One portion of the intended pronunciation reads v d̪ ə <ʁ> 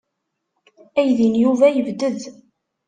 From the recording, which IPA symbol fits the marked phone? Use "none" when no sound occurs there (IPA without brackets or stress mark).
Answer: ð